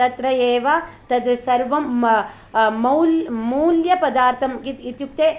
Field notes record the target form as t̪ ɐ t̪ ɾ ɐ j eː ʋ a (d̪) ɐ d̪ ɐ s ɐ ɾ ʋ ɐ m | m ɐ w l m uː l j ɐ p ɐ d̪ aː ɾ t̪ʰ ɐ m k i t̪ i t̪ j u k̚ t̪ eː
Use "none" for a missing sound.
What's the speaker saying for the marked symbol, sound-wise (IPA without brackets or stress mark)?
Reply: t̪